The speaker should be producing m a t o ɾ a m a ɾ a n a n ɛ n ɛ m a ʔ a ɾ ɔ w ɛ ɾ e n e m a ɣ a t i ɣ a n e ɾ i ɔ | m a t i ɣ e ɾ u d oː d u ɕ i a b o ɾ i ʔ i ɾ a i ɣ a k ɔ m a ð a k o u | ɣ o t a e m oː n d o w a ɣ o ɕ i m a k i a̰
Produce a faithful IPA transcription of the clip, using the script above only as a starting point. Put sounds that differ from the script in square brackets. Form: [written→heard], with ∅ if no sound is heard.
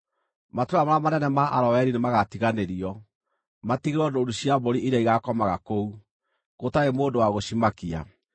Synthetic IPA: m a t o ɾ a m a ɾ a [n→m] a n ɛ n ɛ m a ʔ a ɾ ɔ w ɛ ɾ [e→i] n e m a ɣ a t i ɣ a n e ɾ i ɔ | m a t i ɣ e ɾ [u→ɔ] d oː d u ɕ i a b o ɾ i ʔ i ɾ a i ɣ a k ɔ m a [ð→ɣ] a k o u | ɣ o t a e m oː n d o w a ɣ o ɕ i m a k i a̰

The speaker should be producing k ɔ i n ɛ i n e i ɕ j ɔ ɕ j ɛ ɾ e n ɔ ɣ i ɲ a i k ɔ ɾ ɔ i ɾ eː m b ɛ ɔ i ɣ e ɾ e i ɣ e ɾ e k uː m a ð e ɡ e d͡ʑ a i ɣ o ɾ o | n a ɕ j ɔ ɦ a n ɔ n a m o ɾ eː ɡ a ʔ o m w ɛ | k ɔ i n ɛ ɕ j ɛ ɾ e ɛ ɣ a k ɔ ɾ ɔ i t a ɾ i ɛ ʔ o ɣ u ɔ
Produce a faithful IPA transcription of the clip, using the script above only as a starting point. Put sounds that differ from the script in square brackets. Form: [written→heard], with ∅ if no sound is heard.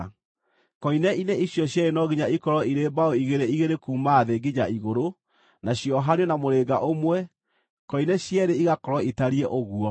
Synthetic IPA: k ɔ i n ɛ i n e i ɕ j ɔ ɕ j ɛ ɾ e n ɔ ɣ i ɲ a i k ɔ ɾ ɔ i ɾ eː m b [ɛ→a] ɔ i ɣ e ɾ e i ɣ e ɾ e k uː m a ð e ɡ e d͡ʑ a i ɣ o ɾ o | n a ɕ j ɔ ɦ a n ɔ n a m o ɾ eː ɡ a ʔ o m w ɛ | k ɔ i n ɛ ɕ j ɛ ɾ e [ɛ→i] ɣ a k ɔ ɾ ɔ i t a ɾ i ɛ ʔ o ɣ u ɔ

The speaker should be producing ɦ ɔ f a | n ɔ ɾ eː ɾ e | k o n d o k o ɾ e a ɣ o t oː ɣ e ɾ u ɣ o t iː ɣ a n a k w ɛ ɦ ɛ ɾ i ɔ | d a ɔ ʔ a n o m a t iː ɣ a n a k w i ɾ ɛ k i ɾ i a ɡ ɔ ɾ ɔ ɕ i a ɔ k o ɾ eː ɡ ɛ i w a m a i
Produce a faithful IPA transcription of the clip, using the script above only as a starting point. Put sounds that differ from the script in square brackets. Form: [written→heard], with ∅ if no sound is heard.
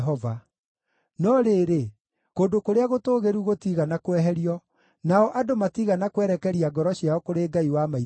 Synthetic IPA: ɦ ɔ [f→v] a | n ɔ ɾ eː ɾ e | k o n d o k o ɾ e a ɣ o t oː ɣ e ɾ u ɣ o t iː ɣ a n a k w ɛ ɦ ɛ ɾ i ɔ | [d→n] a ɔ ʔ a [n→d] o m a t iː ɣ a n a k w [i→ɛ] ɾ ɛ k [i→ɛ] ɾ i a ɡ ɔ ɾ ɔ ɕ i a ɔ k o ɾ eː ɡ [ɛ→a] i w a m a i

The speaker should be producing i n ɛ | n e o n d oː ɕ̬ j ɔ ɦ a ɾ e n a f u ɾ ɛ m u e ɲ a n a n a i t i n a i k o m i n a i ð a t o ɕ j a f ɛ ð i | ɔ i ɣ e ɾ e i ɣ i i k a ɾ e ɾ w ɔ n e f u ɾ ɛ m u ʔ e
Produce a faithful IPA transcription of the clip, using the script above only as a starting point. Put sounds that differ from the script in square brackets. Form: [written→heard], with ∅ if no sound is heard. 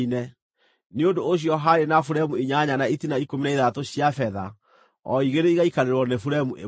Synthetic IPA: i n ɛ | n e o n d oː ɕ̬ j ɔ ɦ a ɾ e n a f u ɾ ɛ m u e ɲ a [n→ɲ] a n a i t i n a i k o m i n a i ð a t o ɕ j a f ɛ ð [i→a] | ɔ i ɣ e ɾ e i ɣ [i→a] i k a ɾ e ɾ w ɔ n e f u ɾ ɛ m u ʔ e

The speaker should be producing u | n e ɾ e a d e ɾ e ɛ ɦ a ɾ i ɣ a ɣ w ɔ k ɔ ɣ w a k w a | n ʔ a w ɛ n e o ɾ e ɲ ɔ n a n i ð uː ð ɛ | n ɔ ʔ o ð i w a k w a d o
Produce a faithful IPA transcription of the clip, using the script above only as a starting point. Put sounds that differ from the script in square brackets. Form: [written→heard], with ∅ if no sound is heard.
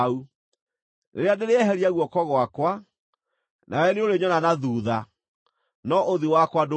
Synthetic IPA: u | n e ɾ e a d e ɾ e ɛ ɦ [a→ɛ] ɾ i [ɣ→∅] a ɣ w ɔ k ɔ ɣ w a k w a | n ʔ a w ɛ n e o ɾ e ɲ ɔ n a n [i→a] ð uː ð [ɛ→a] | n ɔ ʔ o ð i w a k w a d o

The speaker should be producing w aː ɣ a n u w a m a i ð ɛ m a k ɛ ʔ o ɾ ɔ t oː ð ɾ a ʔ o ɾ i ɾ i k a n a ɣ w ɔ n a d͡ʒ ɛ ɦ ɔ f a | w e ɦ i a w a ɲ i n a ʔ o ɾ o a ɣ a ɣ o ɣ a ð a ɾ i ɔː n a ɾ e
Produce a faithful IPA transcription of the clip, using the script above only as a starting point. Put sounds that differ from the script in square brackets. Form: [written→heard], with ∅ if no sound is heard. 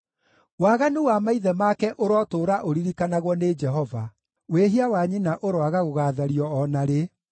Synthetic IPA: w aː ɣ a n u w a m a i ð ɛ m a k ɛ ʔ o ɾ ɔ t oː [ð→∅] ɾ a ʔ o ɾ i ɾ i k a n a ɣ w ɔ n [a→e] d͡ʒ ɛ ɦ ɔ [f→v] a | w e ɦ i a w a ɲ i n a ʔ o ɾ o a ɣ a ɣ o ɣ a ð a ɾ i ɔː n a ɾ e

